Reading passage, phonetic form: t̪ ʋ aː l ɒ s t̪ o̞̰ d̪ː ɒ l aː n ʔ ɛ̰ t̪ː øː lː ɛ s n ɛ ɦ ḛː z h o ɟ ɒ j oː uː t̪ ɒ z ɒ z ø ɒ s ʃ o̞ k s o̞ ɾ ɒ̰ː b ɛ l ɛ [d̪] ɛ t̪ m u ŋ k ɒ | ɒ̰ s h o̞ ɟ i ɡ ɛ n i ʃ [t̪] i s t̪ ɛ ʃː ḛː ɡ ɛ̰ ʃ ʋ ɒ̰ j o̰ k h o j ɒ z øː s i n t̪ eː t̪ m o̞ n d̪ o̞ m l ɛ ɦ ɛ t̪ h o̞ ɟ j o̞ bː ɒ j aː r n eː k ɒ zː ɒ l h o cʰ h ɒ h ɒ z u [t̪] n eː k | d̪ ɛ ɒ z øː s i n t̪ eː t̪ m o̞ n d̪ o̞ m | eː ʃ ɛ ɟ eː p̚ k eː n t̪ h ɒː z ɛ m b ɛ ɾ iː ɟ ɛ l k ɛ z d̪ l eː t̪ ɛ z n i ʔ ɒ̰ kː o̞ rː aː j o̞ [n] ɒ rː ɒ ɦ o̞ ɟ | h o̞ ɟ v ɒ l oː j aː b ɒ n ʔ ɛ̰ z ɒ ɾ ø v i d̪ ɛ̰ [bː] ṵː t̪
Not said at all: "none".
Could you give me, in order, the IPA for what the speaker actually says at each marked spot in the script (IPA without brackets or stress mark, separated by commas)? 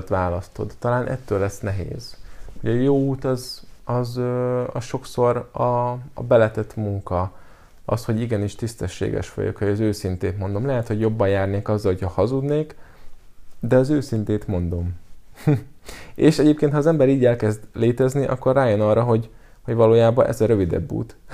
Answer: t̪, t̪, d̪, n, bː